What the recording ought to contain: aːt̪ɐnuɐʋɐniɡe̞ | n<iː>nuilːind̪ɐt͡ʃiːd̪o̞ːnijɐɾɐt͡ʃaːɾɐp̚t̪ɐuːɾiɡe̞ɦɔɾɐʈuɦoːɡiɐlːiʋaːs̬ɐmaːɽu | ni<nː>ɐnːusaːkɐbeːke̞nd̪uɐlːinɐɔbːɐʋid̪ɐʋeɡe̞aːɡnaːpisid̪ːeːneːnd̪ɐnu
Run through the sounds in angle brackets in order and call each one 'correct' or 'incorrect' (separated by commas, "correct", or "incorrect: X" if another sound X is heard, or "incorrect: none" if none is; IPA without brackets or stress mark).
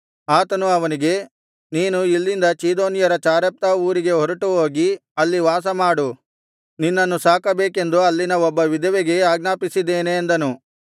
correct, correct